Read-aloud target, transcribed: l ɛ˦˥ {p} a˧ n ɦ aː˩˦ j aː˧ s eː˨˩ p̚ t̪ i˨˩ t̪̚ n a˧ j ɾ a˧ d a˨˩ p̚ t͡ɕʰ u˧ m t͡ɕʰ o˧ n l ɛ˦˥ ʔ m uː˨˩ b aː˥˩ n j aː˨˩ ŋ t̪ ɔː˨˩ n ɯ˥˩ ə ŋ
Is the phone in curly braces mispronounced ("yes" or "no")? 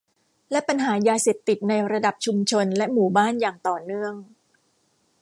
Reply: no